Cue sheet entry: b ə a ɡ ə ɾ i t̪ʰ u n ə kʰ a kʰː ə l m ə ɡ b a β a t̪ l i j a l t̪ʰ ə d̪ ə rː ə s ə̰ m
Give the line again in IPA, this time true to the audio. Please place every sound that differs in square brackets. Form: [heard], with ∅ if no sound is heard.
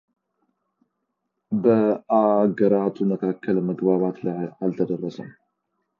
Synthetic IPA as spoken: b ə a ɡ ə ɾ [a] t̪ʰ u [m] ə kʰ a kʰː ə l m ə ɡ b a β a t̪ l [a] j a l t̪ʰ ə d̪ ə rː ə s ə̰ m